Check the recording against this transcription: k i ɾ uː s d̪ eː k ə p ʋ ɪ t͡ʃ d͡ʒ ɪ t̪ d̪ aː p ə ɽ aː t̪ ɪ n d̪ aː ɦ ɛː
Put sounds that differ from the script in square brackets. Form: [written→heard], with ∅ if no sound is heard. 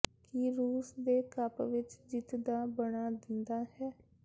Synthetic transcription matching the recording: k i ɾ uː s d̪ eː k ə p ʋ ɪ t͡ʃ d͡ʒ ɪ t̪ d̪ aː [p→b] ə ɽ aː [t̪→d̪] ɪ n d̪ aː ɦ ɛː